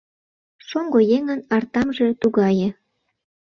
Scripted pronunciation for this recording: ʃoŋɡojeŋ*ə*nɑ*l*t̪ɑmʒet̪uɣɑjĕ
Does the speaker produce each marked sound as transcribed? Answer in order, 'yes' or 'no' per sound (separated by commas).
yes, no